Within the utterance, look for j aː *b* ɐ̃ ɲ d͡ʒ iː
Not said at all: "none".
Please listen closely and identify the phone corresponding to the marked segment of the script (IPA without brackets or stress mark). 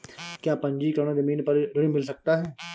p